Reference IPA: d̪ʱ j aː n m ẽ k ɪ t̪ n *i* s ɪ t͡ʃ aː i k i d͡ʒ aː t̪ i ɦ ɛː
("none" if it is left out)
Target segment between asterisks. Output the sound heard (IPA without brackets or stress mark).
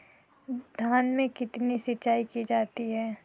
i